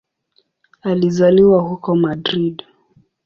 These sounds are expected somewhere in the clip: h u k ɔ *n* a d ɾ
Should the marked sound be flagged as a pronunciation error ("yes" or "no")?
yes